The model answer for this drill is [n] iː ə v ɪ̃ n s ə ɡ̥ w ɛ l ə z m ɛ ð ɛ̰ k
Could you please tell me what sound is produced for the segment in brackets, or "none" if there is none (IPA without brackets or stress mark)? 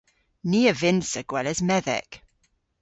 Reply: n